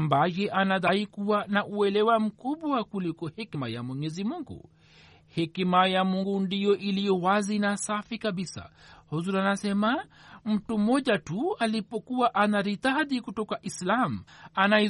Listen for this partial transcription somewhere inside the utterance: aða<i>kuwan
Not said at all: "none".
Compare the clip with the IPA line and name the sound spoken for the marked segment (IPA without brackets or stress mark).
i